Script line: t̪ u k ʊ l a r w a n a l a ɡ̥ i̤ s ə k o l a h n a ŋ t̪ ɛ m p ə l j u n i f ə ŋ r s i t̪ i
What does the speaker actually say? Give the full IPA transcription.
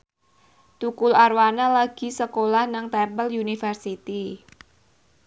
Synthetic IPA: t̪ u k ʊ l a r w a n a l a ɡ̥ i̤ s ə k o l a h n a ŋ t̪ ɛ m p ə l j u n i f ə r s i t̪ i